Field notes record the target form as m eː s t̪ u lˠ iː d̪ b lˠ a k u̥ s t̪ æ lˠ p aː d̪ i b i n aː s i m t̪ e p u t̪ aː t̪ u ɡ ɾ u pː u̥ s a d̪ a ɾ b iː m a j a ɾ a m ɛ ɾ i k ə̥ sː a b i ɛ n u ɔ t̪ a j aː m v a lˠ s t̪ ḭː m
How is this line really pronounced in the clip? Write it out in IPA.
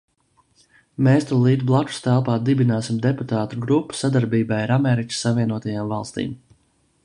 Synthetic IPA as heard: m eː s t̪ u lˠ iː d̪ b lˠ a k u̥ s t̪ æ lˠ p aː d̪ i b i n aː s i m d̪ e p u t̪ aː t̪ u ɡ ɾ u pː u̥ s a d̪ a ɾ b iː b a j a ɾ a m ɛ ɾ i k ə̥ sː a v i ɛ n u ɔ t̪ a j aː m v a lˠ s t̪ ḭː m